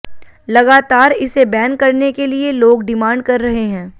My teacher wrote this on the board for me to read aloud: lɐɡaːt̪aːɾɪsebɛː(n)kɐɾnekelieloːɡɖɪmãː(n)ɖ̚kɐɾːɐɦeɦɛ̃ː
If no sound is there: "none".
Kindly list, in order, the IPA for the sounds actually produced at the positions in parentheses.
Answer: n, ɳ

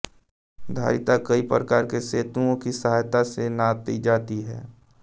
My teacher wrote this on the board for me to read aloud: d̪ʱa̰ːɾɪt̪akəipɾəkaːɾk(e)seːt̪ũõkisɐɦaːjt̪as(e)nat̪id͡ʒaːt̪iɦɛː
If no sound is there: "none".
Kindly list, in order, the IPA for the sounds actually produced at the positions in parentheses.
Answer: e, e

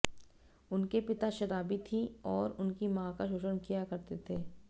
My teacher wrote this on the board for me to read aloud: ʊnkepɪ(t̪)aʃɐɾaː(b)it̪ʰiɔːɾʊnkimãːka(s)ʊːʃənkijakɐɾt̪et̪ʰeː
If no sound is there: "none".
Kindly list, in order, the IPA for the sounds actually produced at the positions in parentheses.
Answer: t̪, b, ʃ

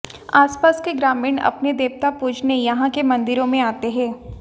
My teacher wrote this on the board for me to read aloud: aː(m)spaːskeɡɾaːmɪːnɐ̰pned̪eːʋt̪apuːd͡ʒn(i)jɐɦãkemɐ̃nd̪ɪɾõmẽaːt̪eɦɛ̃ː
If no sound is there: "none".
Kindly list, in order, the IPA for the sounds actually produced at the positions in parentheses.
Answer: none, e

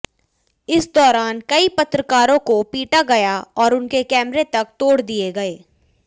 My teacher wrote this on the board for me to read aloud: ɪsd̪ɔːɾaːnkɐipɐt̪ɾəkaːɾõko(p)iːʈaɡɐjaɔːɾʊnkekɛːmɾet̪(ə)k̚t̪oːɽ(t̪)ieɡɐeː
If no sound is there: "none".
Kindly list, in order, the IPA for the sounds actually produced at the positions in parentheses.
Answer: p, ɐ, d̪

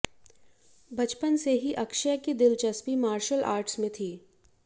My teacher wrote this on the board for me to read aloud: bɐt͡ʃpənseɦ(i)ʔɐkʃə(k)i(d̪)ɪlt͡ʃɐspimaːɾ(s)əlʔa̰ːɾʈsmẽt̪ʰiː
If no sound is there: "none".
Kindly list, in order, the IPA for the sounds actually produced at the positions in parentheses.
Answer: i, k, d̪, ʃ

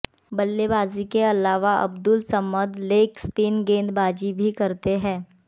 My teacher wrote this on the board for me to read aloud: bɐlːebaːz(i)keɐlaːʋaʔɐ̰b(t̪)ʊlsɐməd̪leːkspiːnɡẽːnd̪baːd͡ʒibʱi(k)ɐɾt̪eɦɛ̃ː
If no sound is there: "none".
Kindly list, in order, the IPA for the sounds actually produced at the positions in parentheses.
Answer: i, d̪, k

